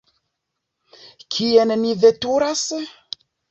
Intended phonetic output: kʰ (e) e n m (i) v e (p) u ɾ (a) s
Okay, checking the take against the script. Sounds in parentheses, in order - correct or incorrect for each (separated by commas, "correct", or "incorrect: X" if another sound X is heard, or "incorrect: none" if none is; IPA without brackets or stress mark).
incorrect: i, correct, incorrect: t, correct